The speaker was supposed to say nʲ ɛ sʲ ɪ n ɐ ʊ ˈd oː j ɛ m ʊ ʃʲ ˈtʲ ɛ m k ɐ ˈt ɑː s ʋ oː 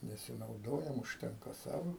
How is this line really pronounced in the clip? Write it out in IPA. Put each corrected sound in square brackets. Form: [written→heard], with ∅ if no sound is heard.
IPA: nʲ ɛ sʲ ɪ n ɐ ʊ ˈd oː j ɛ m ʊ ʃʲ ˈtʲ ɛ [m→ŋ] k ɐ [ˈt→ˈs] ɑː [s→∅] ʋ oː